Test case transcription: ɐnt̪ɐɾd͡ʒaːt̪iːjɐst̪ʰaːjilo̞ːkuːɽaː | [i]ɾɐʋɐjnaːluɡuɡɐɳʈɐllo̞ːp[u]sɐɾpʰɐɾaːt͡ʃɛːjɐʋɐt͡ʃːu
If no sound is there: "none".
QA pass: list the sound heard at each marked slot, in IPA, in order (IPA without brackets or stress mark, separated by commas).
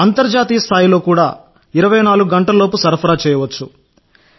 i, u